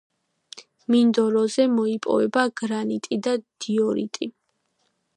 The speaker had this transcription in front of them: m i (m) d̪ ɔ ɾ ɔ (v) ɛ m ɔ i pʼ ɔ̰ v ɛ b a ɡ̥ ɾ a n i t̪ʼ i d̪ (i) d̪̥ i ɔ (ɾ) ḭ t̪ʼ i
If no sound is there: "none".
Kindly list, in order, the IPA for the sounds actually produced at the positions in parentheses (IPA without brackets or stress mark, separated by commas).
n, z, a, ɾ